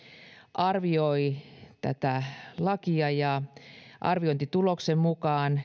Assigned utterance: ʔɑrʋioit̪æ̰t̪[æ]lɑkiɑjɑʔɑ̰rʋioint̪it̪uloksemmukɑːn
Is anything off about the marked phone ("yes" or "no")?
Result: no